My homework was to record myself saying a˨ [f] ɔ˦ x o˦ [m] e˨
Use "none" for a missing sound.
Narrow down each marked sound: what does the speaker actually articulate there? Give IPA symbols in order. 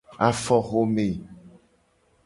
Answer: f, m

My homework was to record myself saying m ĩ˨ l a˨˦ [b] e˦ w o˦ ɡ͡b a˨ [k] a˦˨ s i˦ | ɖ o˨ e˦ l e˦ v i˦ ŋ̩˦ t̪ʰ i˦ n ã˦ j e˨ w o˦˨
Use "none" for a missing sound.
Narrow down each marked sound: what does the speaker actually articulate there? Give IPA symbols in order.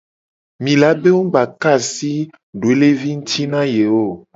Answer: b, k

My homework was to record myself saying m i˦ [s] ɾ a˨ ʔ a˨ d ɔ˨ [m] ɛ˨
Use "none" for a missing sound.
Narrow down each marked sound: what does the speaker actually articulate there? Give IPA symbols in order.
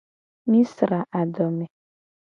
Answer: s, m

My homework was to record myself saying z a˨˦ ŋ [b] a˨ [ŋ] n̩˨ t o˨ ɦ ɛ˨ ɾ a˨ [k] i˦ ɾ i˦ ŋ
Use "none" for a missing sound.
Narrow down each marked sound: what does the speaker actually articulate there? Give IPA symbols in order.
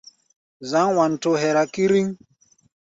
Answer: w, none, k

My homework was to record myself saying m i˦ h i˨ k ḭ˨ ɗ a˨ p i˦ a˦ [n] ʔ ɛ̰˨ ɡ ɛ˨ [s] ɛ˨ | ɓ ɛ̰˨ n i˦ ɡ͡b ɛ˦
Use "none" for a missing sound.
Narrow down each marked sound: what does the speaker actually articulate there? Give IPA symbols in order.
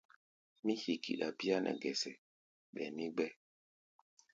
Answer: n, s

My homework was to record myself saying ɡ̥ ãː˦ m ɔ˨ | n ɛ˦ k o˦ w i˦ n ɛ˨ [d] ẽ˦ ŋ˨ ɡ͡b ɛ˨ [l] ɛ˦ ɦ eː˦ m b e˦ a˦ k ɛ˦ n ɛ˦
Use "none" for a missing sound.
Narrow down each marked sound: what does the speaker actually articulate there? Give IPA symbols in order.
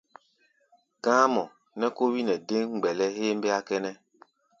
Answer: d, l

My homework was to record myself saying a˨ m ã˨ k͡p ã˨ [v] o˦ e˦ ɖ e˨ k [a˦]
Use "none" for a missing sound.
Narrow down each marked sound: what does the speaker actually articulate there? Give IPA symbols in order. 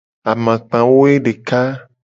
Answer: w, a˦

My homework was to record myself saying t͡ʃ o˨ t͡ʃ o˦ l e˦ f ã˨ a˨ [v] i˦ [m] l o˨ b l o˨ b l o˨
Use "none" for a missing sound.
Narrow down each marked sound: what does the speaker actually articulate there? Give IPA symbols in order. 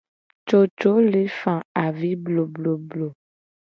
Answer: v, b

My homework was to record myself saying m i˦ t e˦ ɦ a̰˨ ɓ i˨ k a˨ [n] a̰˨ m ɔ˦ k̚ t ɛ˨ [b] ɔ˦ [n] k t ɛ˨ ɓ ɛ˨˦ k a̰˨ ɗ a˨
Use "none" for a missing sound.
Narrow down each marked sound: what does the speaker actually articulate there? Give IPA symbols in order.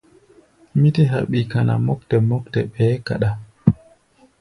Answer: n, m, none

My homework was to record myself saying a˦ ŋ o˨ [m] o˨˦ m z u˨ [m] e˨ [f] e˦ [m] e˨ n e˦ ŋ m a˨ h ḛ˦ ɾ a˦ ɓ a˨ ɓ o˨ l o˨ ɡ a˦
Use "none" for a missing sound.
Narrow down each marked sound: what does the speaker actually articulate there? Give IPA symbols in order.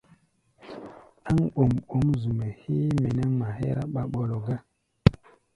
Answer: m, m, h, m

